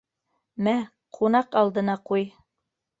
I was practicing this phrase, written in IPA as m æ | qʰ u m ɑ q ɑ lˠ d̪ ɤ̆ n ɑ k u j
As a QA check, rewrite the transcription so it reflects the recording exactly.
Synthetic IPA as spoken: m æ | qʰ u n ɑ q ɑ lˠ d̪ ɤ̆ n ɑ q u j